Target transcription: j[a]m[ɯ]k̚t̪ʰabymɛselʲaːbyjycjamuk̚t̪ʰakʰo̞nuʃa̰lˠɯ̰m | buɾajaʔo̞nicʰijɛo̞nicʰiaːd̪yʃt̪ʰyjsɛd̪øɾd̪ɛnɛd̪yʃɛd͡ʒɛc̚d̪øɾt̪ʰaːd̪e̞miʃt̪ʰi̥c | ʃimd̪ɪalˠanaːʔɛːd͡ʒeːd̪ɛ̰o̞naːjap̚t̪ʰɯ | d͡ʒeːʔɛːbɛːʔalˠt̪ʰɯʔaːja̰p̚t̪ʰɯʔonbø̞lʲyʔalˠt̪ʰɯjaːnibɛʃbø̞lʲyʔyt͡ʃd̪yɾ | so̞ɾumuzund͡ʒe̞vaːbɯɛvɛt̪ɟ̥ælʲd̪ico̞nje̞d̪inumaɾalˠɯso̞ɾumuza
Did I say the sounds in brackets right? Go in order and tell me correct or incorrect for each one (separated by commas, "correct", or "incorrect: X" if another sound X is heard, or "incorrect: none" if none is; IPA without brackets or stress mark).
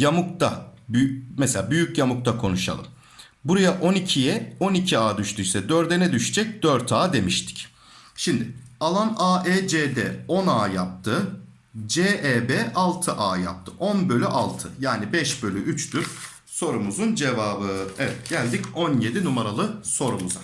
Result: correct, incorrect: u